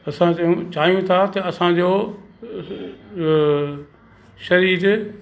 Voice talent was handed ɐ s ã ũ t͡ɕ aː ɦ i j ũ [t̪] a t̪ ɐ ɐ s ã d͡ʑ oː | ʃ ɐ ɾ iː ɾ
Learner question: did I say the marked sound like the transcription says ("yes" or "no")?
no